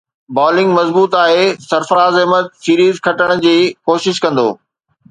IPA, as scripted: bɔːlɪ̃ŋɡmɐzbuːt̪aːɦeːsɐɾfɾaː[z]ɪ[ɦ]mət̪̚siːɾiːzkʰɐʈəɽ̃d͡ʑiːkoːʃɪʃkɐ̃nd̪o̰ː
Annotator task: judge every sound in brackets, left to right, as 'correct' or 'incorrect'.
correct, correct

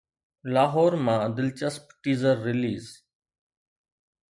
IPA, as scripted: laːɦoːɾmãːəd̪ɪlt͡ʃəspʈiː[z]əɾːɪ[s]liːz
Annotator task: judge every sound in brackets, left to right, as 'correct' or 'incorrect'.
correct, incorrect: none

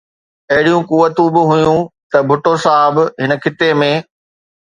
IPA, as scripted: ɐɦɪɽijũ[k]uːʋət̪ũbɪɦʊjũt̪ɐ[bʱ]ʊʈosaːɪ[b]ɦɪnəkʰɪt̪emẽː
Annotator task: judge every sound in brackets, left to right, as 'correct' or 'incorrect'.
correct, correct, correct

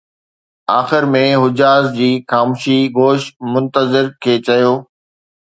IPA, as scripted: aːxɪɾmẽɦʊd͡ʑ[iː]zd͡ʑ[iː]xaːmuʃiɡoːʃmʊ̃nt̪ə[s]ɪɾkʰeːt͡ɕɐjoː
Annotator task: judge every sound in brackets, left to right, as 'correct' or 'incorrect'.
incorrect: aː, correct, incorrect: z

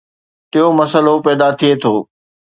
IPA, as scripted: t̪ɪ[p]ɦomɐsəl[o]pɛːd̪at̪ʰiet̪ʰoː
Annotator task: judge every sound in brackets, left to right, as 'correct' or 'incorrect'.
incorrect: none, correct

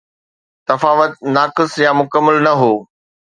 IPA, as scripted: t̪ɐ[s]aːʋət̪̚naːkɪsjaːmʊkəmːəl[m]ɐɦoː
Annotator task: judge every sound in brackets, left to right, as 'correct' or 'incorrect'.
incorrect: f, incorrect: n

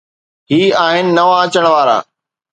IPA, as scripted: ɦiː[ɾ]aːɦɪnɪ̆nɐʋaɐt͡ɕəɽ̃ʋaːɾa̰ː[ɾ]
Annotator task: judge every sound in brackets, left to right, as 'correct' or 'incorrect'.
incorrect: none, incorrect: none

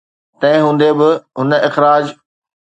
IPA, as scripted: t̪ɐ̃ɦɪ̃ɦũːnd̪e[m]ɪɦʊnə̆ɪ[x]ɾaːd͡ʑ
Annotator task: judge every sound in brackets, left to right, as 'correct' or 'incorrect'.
incorrect: b, correct

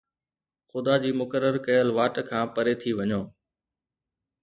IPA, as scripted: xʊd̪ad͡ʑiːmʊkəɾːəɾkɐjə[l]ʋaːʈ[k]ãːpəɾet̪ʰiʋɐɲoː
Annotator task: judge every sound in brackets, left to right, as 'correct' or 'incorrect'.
correct, incorrect: kʰ

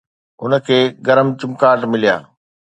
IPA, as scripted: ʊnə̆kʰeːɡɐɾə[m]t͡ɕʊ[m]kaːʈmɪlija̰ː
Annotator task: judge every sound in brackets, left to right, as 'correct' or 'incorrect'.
correct, correct

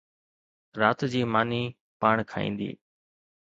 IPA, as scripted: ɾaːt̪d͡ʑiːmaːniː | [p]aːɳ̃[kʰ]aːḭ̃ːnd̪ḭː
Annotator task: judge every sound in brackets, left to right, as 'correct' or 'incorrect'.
correct, correct

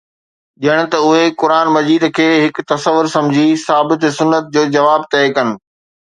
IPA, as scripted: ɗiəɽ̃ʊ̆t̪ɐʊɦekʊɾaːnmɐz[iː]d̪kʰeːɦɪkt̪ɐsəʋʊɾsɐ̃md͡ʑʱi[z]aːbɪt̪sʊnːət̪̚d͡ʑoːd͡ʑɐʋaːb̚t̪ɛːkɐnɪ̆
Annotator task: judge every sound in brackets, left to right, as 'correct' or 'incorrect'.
correct, incorrect: s

